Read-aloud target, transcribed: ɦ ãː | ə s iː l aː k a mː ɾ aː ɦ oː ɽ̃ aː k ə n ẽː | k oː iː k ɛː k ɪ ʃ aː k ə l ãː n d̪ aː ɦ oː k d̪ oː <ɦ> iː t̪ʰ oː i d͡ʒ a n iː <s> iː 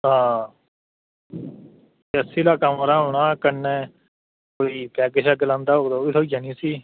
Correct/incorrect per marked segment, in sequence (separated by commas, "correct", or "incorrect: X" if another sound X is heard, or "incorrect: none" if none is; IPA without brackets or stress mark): incorrect: none, correct